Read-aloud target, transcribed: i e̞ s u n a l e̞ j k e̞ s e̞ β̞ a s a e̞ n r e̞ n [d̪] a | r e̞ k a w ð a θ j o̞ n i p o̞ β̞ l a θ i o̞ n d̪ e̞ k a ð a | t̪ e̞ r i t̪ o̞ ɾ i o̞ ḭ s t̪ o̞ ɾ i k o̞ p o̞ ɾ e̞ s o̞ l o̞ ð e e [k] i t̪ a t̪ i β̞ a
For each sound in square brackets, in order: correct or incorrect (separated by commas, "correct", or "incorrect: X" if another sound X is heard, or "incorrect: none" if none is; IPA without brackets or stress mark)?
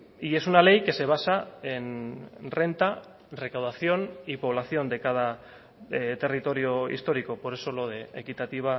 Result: incorrect: t̪, correct